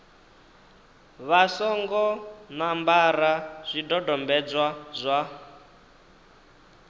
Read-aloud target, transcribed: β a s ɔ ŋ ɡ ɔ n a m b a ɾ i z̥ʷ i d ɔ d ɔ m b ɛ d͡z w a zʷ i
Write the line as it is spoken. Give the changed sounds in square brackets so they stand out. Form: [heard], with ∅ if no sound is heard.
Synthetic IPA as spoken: β a s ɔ ŋ ɡ ɔ n a m b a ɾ [a] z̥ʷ i d ɔ d ɔ m b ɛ d͡z w a zʷ [a]